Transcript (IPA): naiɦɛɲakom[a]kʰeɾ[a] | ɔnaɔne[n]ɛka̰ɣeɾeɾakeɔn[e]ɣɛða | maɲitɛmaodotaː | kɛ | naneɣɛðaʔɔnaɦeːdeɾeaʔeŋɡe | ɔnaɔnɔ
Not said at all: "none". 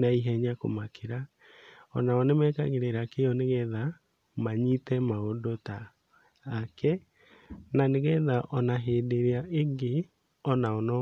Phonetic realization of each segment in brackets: a, a, m, e

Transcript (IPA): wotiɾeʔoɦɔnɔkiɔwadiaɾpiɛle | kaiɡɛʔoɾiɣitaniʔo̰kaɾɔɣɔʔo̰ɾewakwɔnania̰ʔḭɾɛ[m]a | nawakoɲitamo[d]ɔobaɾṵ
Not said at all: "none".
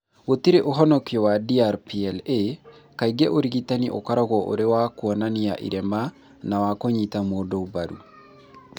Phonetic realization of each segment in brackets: m, d

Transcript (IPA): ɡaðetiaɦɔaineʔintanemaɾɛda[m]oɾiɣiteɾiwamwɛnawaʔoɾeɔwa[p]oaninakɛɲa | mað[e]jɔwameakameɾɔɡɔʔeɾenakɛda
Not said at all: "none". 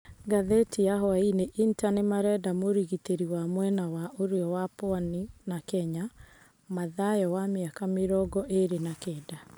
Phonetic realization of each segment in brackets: m, p, a

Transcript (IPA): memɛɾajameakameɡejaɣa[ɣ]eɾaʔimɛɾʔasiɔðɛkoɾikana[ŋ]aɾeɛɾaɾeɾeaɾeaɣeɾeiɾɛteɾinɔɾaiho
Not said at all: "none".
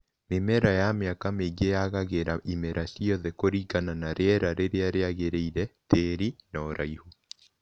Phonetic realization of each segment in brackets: ɣ, n

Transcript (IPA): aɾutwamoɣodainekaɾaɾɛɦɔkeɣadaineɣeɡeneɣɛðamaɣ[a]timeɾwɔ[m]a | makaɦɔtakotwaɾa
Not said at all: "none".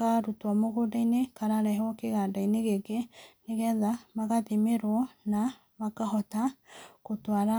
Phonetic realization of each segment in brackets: a, n

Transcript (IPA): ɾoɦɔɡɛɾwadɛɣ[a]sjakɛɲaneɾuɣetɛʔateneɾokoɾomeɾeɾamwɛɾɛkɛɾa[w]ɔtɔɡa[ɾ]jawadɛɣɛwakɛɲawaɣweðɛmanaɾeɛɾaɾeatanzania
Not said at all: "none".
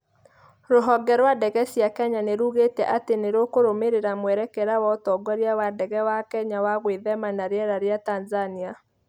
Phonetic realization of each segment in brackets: ɛ, w, ɾ

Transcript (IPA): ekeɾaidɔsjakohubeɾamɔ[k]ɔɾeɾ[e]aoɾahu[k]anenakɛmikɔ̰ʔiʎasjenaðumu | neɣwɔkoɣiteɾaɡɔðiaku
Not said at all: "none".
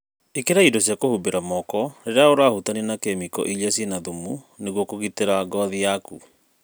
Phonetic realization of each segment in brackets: k, e, t

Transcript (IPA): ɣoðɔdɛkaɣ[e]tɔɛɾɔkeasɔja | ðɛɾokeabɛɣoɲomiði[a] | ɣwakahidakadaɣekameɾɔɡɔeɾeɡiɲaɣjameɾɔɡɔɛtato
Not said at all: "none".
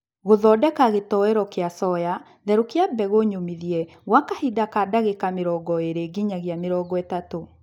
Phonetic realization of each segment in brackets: e, ɛ

